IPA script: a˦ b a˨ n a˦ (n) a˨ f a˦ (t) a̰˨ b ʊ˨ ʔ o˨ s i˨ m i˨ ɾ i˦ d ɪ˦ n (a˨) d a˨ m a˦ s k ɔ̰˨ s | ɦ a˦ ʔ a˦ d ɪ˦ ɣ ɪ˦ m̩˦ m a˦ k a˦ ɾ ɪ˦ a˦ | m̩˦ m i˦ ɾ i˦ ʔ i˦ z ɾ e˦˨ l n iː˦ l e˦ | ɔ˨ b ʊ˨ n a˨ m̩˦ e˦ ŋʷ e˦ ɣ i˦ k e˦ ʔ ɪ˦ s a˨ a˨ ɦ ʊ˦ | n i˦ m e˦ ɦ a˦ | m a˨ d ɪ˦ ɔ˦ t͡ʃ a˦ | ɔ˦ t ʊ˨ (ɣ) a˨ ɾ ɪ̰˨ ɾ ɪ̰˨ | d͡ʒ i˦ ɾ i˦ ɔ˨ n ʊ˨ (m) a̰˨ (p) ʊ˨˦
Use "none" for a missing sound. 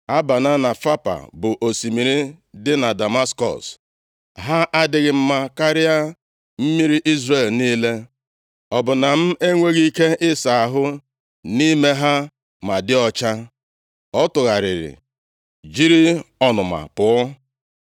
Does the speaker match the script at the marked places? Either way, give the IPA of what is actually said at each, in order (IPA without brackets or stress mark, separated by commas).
n, p, a˨, ɣ, m, p